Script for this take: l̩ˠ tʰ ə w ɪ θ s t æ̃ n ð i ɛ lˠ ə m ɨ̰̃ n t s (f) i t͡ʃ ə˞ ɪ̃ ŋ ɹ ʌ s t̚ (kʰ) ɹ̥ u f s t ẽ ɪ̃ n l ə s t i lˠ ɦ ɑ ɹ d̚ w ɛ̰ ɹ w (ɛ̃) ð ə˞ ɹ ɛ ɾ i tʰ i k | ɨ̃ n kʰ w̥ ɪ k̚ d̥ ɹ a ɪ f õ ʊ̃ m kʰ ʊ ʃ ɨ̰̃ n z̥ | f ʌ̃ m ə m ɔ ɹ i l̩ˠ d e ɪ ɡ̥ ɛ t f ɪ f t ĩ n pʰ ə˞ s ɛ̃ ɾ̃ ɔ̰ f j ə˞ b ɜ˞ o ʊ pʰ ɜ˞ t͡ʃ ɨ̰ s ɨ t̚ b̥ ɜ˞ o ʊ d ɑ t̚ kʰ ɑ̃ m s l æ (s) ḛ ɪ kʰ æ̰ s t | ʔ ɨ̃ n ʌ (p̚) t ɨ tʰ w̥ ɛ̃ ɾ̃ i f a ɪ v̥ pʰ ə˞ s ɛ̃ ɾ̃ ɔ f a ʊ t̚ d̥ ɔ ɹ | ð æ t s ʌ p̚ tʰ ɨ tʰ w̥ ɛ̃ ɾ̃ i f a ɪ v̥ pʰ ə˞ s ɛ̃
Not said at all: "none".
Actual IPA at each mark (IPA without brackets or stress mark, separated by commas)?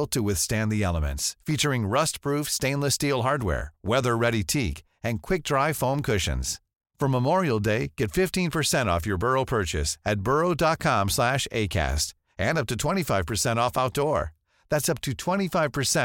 f, pʰ, ɛ, ʃ, p̚